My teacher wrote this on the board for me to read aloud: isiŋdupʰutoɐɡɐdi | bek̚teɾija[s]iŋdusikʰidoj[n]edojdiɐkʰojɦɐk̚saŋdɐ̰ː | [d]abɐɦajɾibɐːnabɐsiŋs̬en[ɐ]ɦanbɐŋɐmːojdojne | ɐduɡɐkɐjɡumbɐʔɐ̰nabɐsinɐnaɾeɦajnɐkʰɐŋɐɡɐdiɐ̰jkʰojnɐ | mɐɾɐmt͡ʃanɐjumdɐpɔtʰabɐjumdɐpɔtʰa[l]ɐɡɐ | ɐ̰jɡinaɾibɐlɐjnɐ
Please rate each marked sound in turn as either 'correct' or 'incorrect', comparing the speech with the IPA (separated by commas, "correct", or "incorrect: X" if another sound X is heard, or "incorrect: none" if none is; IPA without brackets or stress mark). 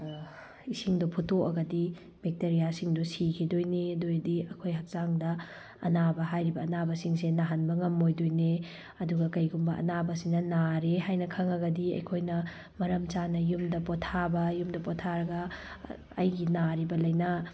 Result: correct, correct, incorrect: n, incorrect: a, incorrect: ɾ